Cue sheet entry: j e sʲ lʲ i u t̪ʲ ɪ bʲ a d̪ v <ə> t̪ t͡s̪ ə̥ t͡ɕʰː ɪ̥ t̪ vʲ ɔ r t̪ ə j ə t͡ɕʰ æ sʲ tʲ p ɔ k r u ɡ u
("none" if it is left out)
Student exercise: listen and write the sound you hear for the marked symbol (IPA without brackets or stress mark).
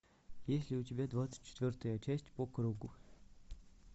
a